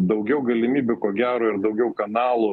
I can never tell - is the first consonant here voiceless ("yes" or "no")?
no